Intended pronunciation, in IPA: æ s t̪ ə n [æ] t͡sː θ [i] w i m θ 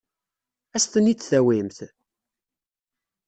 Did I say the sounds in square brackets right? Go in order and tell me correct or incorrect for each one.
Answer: incorrect: i, incorrect: æ

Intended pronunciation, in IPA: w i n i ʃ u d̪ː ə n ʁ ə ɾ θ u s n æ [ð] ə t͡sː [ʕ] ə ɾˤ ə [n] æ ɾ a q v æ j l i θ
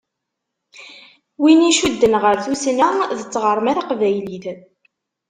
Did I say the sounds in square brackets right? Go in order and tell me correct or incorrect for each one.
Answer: correct, incorrect: ʁ, incorrect: m

